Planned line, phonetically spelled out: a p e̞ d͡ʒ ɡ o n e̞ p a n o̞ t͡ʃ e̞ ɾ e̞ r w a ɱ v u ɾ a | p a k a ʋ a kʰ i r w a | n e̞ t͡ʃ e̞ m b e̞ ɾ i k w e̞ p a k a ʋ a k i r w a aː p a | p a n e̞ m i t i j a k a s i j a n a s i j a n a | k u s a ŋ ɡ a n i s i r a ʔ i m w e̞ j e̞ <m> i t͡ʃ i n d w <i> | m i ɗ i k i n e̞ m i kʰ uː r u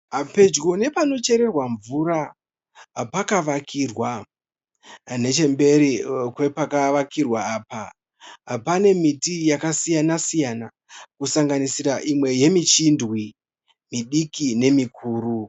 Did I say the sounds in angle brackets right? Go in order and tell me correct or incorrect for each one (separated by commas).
correct, correct